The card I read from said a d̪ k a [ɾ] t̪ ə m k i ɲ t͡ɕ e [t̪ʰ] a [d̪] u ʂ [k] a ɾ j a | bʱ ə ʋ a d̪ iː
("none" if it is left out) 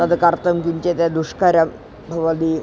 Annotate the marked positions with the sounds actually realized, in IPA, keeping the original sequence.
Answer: ɾ, t̪, d̪, k

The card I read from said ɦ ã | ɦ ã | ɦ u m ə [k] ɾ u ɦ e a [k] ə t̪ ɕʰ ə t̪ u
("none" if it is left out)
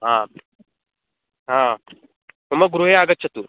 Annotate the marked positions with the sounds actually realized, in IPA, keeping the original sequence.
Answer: ɡ, ɡ

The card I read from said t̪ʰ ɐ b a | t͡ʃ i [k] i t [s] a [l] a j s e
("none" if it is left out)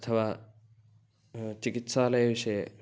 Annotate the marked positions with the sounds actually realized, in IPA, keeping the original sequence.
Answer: k, s, l

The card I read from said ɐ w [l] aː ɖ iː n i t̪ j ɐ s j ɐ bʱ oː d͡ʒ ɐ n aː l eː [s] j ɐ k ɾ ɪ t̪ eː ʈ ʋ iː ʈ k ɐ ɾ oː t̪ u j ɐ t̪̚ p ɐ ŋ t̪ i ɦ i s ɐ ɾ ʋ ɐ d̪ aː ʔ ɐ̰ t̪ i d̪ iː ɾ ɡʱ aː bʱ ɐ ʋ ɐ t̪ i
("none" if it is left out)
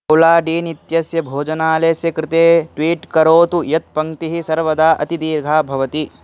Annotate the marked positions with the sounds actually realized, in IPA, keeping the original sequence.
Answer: l, s

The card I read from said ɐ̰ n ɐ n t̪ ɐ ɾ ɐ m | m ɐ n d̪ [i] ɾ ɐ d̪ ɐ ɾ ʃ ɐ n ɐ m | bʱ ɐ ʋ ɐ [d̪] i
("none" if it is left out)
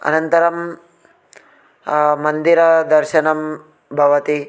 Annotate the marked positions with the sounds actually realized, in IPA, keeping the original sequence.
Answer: i, t̪

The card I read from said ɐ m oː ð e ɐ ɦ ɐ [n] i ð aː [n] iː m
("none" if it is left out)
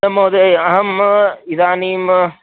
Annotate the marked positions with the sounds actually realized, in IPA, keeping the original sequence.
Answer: m, n

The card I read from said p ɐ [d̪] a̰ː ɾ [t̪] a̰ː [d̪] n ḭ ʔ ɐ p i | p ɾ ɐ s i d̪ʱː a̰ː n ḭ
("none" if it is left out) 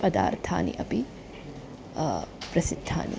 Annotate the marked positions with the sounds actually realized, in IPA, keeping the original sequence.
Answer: d̪, t̪ʰ, none

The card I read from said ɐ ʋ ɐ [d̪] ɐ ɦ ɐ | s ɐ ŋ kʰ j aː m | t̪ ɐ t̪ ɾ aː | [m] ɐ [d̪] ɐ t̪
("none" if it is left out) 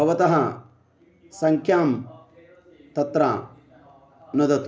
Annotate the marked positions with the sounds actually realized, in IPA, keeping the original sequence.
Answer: t̪, n, d̪

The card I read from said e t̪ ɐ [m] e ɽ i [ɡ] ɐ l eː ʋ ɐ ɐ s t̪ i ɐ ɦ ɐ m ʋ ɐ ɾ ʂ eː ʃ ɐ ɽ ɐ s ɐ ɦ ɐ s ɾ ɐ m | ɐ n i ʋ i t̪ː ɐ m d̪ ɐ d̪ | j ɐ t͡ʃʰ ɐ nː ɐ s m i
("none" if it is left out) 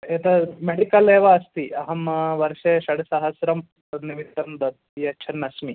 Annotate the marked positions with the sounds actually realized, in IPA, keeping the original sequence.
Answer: m, k

